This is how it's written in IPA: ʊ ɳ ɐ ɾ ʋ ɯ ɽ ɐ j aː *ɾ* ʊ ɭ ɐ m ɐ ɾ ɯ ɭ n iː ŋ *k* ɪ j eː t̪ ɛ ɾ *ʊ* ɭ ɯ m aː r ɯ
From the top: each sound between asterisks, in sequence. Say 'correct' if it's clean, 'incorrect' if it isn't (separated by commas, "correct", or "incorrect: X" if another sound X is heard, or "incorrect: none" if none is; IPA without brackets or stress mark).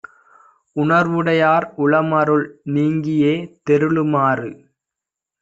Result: correct, incorrect: ɡ, incorrect: ɯ